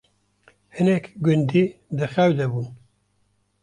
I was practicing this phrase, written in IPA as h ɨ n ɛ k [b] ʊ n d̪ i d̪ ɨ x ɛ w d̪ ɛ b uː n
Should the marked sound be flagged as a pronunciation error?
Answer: yes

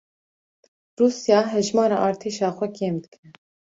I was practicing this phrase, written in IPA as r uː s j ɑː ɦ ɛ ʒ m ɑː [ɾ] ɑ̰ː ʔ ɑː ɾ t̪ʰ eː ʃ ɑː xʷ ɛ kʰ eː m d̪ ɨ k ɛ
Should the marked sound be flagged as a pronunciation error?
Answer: no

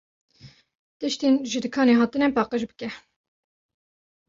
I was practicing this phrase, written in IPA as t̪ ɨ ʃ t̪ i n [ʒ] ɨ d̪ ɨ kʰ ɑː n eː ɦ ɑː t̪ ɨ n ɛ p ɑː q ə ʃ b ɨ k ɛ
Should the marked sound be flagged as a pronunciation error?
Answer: no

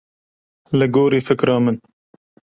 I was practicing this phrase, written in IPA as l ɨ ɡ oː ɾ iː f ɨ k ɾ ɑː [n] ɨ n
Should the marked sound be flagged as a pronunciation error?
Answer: yes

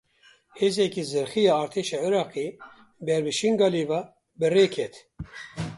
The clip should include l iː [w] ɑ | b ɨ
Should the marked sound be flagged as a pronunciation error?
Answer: yes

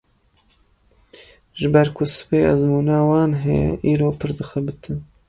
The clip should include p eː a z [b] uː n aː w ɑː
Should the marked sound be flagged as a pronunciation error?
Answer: yes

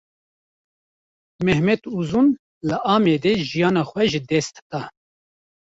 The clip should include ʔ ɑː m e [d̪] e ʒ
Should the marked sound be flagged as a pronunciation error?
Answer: no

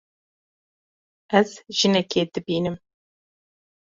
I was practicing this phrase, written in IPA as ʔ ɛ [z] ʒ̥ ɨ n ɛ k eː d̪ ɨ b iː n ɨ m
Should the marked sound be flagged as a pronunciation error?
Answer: no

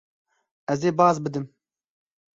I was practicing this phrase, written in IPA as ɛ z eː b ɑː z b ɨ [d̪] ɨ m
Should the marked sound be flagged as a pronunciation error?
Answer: no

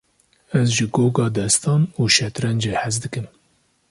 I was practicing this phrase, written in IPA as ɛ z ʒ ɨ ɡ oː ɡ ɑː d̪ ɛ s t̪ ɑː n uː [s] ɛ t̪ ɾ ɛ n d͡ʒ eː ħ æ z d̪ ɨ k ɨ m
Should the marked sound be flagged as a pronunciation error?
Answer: yes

